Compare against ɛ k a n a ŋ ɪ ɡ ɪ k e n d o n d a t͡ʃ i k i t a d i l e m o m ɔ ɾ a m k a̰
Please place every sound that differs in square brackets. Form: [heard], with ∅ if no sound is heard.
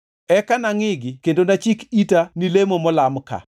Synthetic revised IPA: ɛ k a n a ŋ ɪ ɡ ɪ k e n d o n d a t͡ʃ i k i t a [n] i l e m o m ɔ [l] a m k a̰